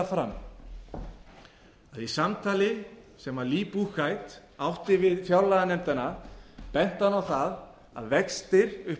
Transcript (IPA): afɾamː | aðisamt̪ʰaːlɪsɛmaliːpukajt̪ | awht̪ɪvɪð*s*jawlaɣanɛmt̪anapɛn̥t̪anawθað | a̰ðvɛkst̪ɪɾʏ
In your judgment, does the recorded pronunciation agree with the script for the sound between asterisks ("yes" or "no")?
no